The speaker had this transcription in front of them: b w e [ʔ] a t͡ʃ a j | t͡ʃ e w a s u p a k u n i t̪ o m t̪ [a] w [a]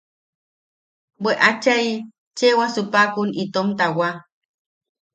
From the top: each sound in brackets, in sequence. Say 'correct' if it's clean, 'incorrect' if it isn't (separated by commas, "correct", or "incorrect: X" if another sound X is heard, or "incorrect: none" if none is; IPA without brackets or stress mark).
correct, correct, correct